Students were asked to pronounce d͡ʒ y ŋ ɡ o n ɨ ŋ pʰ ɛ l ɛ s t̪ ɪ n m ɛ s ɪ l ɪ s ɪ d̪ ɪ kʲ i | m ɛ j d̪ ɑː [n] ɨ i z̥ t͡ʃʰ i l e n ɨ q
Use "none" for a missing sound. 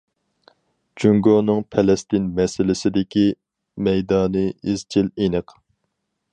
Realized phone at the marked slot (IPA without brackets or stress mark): n